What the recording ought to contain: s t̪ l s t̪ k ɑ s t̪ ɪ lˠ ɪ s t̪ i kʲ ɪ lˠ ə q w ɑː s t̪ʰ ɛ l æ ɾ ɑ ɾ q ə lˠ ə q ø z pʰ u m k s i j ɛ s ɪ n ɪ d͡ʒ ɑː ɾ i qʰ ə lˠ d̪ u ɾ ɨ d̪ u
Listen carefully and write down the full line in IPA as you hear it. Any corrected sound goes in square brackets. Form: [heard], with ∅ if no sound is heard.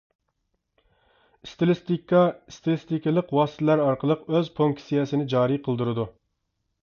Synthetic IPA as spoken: s t̪ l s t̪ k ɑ s t̪ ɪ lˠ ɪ s t̪ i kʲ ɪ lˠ ə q w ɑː s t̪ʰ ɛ l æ ɾ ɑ ɾ q ə lˠ ə q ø z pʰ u [ŋ] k s i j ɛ s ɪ n ɪ d͡ʒ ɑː ɾ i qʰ ə lˠ d̪ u ɾ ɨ d̪ u